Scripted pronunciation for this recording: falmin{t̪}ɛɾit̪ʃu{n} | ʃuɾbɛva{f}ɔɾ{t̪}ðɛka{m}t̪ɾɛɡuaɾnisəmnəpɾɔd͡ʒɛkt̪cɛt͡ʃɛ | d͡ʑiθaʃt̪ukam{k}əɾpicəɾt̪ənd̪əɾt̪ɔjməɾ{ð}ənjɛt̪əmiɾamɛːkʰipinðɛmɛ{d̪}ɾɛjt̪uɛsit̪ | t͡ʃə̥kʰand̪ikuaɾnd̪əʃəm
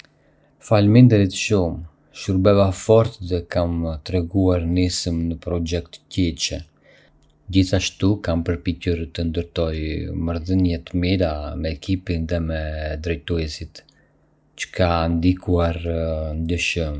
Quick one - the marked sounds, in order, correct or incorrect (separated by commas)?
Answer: incorrect, incorrect, correct, correct, correct, incorrect, correct, correct